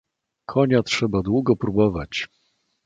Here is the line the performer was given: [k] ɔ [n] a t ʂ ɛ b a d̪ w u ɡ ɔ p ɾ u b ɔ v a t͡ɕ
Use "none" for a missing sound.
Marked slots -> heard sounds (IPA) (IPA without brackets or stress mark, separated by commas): kʰ, ɲ